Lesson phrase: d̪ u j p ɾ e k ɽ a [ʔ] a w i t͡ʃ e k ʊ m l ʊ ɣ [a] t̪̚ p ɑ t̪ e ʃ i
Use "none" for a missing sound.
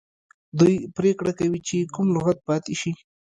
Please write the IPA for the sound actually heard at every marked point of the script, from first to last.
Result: k, a

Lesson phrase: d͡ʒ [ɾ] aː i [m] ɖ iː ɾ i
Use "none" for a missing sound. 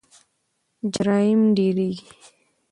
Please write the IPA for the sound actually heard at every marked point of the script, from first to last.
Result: ɾ, m

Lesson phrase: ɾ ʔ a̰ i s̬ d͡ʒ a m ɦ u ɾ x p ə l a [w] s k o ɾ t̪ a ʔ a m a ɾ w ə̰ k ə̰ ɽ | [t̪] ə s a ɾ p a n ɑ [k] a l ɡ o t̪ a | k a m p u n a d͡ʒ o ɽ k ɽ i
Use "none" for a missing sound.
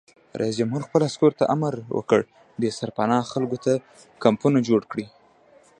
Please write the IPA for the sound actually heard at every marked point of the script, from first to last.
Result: none, d̪, x

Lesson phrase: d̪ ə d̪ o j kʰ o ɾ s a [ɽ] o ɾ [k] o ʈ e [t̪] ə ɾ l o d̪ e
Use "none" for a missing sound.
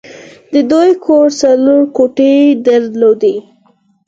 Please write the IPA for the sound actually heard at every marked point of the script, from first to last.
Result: l, k, d̪

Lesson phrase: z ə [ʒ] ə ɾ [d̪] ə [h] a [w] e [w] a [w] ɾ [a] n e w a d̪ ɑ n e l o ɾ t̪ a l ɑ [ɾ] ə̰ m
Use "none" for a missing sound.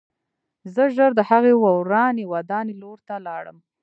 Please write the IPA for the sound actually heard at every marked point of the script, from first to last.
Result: ʒ, d̪, h, ɣ, w, w, ɑ, ɽ

